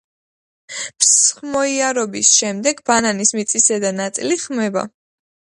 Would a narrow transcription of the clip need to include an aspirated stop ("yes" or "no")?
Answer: no